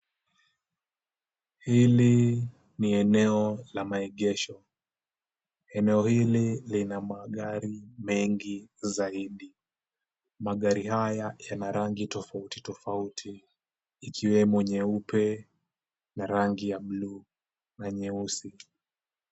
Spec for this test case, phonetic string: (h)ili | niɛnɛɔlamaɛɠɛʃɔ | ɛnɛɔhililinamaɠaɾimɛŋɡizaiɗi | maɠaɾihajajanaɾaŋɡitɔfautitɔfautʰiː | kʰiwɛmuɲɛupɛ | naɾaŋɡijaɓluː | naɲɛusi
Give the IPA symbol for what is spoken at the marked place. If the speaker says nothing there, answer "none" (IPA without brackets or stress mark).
h